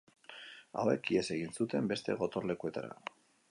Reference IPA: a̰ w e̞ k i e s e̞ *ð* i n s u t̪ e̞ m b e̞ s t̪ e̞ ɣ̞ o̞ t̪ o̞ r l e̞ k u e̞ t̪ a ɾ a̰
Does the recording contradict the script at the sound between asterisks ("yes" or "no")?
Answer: yes